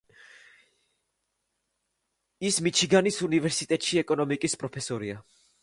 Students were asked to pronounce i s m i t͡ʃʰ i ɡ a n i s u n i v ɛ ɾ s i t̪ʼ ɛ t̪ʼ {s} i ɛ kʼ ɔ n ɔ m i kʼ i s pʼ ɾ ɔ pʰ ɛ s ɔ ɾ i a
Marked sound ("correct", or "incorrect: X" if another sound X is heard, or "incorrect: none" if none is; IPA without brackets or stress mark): incorrect: ʃ